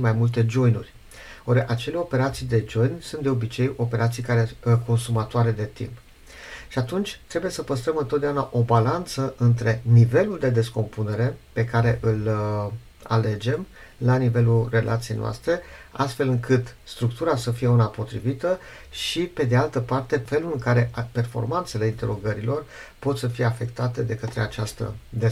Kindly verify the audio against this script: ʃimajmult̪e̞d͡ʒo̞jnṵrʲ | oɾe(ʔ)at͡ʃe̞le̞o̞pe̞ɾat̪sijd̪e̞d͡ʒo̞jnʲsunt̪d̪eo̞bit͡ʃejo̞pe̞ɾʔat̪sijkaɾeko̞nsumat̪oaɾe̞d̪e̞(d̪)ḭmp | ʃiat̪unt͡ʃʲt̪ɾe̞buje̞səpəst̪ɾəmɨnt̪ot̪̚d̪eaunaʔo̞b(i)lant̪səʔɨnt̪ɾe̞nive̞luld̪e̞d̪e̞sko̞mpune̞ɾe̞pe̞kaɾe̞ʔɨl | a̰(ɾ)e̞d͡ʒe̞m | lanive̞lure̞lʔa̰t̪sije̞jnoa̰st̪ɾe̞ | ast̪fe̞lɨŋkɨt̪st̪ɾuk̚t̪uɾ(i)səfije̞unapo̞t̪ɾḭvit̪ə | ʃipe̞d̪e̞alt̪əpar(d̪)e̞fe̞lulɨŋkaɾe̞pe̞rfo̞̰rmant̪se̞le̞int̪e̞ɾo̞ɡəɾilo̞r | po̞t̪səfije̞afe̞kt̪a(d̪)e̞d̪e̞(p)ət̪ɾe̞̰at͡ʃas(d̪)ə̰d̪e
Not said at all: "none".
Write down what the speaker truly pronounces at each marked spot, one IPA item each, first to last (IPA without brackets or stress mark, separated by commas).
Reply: ʔ, t̪, a, l, a, t̪, t̪, k, t̪